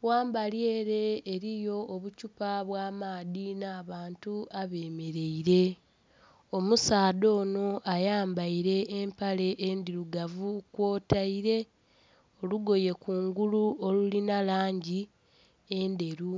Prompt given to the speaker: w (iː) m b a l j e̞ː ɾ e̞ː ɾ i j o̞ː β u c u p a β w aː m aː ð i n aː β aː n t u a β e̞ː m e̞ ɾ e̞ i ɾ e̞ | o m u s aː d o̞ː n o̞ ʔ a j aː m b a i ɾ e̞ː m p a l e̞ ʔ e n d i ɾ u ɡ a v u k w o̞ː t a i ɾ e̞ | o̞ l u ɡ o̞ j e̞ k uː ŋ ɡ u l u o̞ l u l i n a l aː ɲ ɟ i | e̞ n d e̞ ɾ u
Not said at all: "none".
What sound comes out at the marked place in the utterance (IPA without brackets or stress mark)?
aː